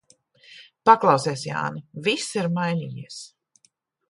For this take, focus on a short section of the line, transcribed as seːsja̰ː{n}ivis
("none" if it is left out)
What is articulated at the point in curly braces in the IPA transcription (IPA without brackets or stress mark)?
n